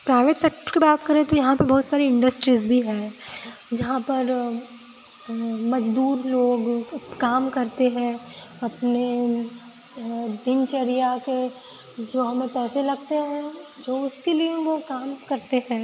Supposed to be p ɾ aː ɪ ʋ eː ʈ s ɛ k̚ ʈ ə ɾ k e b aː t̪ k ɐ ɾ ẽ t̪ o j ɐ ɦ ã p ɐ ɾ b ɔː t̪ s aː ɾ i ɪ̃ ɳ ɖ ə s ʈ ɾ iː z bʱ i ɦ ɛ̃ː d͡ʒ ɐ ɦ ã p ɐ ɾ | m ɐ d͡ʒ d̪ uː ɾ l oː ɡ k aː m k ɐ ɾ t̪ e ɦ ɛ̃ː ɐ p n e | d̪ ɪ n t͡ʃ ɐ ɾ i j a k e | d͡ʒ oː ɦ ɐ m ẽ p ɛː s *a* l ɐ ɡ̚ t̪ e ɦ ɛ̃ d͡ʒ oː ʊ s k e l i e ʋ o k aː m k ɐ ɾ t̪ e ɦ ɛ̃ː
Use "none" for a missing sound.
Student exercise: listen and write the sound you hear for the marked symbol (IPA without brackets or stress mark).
e